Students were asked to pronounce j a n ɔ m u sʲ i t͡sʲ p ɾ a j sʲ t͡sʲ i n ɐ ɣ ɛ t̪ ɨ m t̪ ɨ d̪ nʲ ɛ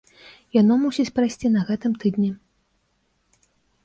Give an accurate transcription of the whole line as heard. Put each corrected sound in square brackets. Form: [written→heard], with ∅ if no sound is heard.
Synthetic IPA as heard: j a n ɔ m u sʲ i t͡sʲ p ɾ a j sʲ t͡sʲ i n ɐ ɣ ɛ t̪ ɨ m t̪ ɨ d̪ nʲ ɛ